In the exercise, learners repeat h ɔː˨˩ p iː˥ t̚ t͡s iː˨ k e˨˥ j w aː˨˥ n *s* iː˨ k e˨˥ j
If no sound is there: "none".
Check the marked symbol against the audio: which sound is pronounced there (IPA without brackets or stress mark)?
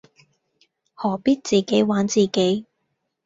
t͡s